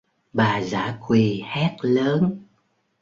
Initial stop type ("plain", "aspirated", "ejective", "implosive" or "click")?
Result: implosive